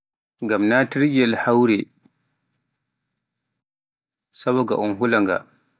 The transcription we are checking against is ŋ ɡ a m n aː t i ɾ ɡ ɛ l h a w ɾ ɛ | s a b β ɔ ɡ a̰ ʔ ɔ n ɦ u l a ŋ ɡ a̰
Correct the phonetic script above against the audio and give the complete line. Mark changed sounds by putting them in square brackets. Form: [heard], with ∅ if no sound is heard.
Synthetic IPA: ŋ ɡ a m n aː t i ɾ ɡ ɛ l h a w ɾ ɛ | s a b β ɔ ɡ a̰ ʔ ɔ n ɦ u l a ŋ ɡ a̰

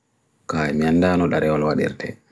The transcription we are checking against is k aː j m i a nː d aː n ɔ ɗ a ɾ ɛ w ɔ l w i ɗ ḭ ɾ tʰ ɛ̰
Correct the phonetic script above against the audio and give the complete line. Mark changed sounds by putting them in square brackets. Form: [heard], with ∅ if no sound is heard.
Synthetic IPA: k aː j m i a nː d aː n ɔ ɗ a ɾ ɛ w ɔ l w [a] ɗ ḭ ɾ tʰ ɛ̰

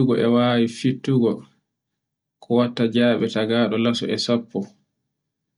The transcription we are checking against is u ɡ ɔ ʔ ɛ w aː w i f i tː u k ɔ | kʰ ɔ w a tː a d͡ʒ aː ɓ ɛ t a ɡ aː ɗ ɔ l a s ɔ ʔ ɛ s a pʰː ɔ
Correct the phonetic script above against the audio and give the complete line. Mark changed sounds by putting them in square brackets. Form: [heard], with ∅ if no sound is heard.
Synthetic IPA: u ɡ ɔ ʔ ɛ w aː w i f i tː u [ɡ] ɔ | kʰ ɔ w a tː a d͡ʒ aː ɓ ɛ t a ɡ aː ɗ ɔ l a s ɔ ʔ ɛ s a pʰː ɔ

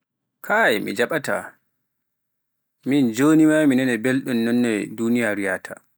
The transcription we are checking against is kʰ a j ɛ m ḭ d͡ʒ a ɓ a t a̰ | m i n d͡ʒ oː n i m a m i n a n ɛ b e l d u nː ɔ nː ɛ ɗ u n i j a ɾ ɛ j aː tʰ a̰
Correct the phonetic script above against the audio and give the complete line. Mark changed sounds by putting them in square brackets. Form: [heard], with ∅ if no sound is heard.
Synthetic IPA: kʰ a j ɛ m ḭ d͡ʒ a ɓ a t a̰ | m i n d͡ʒ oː n i m a m i n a n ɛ b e l [ɗ] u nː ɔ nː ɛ [d] u n i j a ɾ [i] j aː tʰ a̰

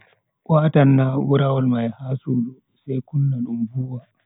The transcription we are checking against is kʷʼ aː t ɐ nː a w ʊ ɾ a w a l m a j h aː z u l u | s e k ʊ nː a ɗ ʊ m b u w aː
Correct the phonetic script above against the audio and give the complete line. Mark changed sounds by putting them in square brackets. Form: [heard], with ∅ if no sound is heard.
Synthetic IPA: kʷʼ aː t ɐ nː a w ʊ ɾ a w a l m a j h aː [s] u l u | s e k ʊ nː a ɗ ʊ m b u w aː

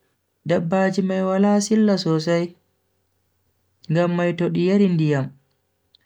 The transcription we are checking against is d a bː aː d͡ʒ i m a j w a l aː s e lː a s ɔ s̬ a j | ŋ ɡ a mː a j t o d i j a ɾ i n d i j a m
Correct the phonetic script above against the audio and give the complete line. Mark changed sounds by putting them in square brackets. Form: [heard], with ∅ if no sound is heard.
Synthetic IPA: d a bː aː d͡ʒ i m a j w a l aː s [i] lː a s ɔ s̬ a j | ŋ ɡ a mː a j t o [ɗ] i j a ɾ i n d i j a m

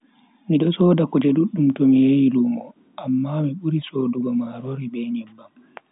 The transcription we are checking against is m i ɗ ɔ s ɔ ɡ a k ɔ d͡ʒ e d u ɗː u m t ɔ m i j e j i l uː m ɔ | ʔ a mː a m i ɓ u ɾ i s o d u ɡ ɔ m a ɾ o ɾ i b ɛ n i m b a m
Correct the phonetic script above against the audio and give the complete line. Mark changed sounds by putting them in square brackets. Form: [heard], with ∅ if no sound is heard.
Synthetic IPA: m i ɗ ɔ s ɔ [d] a k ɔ d͡ʒ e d u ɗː u m t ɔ m i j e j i l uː m ɔ | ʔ a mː a m i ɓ u ɾ i s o d u ɡ ɔ m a ɾ o ɾ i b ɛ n i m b a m

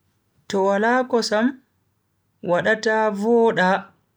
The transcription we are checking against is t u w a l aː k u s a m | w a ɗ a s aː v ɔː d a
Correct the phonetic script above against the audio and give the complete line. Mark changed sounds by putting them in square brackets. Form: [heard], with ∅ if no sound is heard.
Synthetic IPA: t [ɔ] w a l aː k [ɔ] s a m | w a ɗ a [t] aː v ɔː [ɗ] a

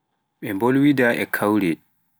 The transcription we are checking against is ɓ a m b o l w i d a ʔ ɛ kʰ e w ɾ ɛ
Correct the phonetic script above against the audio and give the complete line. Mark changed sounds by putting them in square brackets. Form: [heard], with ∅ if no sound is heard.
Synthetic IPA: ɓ [ɛ] m b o l w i d a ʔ ɛ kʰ [a] w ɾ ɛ

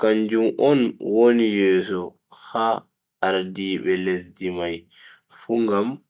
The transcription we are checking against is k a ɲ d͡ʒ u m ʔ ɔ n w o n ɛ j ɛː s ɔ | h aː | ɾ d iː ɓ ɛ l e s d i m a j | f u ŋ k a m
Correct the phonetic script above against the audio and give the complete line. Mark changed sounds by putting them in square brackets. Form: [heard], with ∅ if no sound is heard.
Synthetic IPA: k a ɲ d͡ʒ u m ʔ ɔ n w o n [i] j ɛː s ɔ | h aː | ɾ d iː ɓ ɛ l e s d i m a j | f u ŋ [ɡ] a m

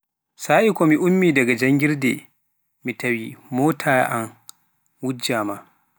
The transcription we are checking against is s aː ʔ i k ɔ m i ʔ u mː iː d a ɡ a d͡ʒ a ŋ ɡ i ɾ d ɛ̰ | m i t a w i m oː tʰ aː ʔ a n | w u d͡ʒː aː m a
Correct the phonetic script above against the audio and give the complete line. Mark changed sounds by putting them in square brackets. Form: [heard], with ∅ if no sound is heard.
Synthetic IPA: s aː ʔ i k ɔ m i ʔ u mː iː d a ɡ a d͡ʒ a ŋ ɡ i ɾ d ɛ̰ | m i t a w i m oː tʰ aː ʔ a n | w u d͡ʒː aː m a

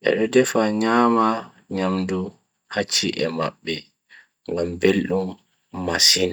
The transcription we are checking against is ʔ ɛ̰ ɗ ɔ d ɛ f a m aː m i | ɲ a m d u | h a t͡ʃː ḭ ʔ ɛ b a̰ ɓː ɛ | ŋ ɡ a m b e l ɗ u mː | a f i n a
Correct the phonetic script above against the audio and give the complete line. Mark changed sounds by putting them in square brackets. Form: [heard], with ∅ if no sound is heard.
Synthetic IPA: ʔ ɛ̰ ɗ ɔ d ɛ f a [ɲ] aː m [a] | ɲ a m d u | h a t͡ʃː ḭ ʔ ɛ [m] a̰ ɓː ɛ | ŋ ɡ a m b e l ɗ u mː | a [s] i n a

